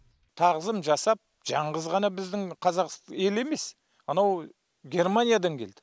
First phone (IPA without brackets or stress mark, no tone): t̪ʰ